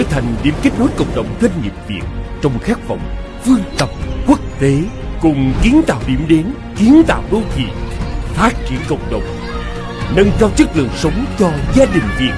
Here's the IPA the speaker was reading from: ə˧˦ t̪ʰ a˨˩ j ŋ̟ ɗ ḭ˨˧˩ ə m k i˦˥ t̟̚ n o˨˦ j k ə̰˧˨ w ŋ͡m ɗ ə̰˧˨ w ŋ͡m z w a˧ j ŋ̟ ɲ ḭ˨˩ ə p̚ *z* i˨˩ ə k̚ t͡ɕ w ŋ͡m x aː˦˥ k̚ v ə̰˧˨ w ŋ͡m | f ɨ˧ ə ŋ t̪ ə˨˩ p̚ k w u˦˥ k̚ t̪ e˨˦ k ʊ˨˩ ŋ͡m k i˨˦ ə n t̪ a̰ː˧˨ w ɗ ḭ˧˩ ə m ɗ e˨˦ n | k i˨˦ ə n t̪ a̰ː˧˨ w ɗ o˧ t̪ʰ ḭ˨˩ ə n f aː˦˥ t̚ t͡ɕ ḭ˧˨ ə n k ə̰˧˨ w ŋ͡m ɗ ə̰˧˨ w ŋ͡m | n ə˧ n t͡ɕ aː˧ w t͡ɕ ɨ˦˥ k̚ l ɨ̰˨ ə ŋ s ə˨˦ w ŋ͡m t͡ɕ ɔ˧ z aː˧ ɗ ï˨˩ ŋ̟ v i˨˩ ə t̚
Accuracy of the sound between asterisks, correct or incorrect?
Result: incorrect